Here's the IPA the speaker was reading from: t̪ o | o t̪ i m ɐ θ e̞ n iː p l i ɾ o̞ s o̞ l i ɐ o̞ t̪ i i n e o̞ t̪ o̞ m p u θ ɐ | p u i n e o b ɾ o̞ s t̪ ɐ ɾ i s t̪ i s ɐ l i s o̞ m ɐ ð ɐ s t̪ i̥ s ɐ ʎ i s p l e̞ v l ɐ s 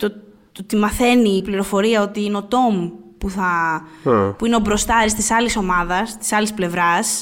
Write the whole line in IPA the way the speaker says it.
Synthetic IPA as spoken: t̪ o | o t̪ i m ɐ θ e̞ n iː p l i ɾ o̞ f o̞ ɾ i ɐ o̞ t̪ i i n e o̞ t̪ o̞ m p u θ ɐ | p u i n e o b ɾ o̞ s t̪ ɐ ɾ i s t̪ i s ɐ l i s o̞ m ɐ ð ɐ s t̪ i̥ s ɐ l i s p l e̞ v ɾ ɐ s